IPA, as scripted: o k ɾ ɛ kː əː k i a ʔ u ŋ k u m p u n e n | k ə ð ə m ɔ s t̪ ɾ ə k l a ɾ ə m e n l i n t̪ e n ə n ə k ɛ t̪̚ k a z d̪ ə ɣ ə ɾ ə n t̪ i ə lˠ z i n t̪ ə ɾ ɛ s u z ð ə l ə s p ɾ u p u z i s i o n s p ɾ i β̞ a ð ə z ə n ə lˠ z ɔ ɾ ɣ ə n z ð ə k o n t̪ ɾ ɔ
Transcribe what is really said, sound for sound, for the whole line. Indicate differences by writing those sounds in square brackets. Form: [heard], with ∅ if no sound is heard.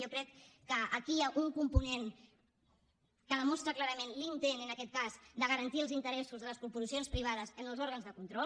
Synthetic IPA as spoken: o k ɾ ɛ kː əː k i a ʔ u ŋ k u m p u n e n | k ə ð ə m ɔ s t̪ ɾ ə k l a ɾ ə m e n l i n t̪ e n ə n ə k ɛ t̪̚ k a z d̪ ə ɣ ə ɾ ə n t̪ i ə lˠ z i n t̪ ə ɾ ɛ s u z ð ə l ə s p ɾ u p u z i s i o n s p ɾ i β̞ a ð ə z ə n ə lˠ z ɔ ɾ ɣ ə n z ð ə k [u] n t̪ ɾ ɔ